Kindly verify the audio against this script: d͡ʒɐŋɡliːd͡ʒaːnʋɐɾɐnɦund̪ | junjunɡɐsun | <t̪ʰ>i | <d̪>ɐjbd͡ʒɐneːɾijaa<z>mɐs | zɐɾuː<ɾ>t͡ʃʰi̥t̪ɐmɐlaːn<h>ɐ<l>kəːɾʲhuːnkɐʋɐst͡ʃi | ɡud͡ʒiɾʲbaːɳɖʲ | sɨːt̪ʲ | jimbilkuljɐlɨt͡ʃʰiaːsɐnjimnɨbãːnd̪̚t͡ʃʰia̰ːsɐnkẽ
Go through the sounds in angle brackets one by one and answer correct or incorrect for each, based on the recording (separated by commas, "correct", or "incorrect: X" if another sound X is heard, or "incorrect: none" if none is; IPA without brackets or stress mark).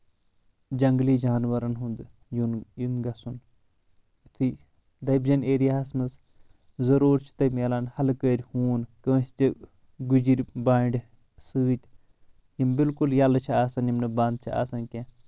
correct, correct, incorrect: s, correct, correct, correct